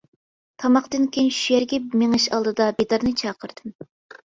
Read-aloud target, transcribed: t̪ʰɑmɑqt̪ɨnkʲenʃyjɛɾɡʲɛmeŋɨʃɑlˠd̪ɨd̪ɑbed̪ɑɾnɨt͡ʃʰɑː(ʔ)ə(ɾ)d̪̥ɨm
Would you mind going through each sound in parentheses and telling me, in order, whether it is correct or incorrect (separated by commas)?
incorrect, correct